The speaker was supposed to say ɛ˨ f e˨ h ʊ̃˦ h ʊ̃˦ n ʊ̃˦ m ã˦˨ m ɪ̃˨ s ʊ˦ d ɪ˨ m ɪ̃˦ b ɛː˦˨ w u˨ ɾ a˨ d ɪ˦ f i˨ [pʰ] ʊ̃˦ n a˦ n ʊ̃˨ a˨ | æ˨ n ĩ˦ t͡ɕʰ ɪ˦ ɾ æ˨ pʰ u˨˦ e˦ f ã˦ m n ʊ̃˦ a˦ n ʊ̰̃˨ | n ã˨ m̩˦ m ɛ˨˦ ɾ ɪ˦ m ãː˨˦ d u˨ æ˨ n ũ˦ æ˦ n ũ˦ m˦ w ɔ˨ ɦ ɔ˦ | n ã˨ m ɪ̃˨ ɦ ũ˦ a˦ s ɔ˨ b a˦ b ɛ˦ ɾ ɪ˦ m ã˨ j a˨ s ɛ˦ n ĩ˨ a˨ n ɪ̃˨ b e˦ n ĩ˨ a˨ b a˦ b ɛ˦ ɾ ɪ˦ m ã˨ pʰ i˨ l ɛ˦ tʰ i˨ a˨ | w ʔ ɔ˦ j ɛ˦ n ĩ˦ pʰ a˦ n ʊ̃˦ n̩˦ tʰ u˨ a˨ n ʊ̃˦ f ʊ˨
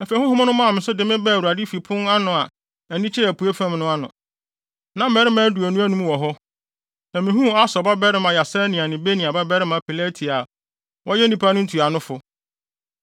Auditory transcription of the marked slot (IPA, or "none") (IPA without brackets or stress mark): pʰ